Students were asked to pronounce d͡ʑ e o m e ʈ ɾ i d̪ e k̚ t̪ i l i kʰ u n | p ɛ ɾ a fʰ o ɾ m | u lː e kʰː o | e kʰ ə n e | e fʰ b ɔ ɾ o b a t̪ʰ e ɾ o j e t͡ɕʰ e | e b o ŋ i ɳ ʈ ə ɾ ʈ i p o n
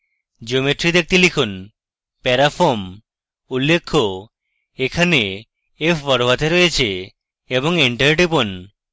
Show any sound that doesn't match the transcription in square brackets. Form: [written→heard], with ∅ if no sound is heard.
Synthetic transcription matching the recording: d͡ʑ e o m e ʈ ɾ i d̪ e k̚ t̪ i l i kʰ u n | p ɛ ɾ a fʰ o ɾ m | u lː e kʰː o | e kʰ [ə→a] n e | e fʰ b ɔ ɾ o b a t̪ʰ e ɾ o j e t͡ɕʰ e | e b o ŋ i ɳ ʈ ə ɾ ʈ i p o n